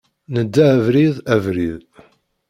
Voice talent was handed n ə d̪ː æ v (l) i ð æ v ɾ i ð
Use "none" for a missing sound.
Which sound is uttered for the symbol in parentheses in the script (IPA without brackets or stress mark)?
ɾ